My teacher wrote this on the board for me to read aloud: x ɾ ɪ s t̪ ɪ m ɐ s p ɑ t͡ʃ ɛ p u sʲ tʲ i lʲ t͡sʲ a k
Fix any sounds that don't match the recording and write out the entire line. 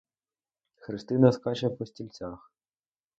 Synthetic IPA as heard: x ɾ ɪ s t̪ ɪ n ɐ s k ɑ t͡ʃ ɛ p ɔ sʲ tʲ i lʲ t͡sʲ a x